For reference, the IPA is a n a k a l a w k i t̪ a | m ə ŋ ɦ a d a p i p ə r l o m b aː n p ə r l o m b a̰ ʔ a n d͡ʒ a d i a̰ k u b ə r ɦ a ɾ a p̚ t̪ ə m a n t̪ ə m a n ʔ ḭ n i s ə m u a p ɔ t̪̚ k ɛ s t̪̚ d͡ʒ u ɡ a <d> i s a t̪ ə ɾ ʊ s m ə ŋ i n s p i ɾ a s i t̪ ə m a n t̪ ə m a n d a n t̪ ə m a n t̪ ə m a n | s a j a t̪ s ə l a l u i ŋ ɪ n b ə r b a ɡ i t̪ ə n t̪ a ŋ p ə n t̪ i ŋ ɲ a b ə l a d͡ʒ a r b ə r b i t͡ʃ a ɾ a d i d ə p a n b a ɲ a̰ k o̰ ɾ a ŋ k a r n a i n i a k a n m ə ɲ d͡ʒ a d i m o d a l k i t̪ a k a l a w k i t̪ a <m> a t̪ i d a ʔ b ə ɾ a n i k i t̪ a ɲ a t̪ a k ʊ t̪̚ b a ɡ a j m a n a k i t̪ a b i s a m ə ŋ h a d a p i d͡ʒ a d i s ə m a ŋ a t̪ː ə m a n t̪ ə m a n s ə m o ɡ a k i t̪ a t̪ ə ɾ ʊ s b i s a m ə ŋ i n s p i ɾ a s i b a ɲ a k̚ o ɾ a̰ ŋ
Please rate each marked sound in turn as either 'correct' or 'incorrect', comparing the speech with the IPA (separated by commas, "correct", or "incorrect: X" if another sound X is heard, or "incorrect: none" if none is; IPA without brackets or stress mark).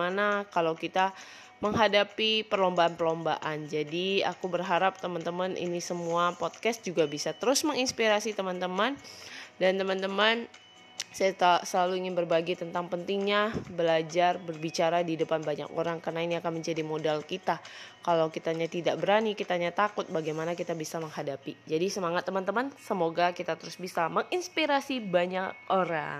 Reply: incorrect: b, incorrect: ɲ